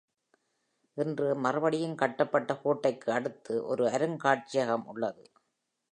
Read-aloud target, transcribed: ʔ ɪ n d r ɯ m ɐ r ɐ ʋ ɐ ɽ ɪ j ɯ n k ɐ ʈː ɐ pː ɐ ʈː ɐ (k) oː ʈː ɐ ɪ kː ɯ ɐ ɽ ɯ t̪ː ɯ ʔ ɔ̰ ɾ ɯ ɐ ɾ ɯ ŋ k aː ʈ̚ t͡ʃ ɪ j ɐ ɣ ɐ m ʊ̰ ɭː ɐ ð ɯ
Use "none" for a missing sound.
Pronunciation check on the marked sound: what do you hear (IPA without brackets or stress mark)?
k